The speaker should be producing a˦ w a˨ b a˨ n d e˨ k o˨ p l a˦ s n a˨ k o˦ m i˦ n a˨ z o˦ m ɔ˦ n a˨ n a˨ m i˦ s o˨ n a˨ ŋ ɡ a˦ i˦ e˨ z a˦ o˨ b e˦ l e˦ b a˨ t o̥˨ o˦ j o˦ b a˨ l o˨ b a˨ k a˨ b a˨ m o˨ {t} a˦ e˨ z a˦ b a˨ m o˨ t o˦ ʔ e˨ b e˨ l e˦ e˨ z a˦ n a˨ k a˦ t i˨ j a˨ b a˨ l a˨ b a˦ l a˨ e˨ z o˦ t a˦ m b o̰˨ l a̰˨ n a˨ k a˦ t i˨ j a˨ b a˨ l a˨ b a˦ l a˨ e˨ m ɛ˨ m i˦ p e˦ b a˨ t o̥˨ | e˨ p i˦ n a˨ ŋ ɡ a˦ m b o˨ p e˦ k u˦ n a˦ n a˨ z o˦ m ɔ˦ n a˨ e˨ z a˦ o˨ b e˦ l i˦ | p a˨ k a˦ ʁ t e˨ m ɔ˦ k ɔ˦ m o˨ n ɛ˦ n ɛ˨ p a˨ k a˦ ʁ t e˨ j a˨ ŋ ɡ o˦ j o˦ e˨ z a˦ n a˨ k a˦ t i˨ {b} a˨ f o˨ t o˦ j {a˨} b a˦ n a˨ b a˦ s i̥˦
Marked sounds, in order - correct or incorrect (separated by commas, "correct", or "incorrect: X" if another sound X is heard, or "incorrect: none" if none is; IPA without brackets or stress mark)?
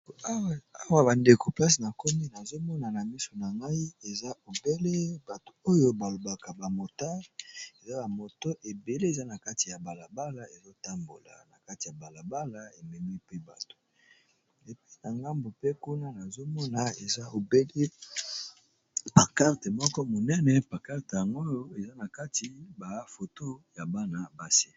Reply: correct, correct, correct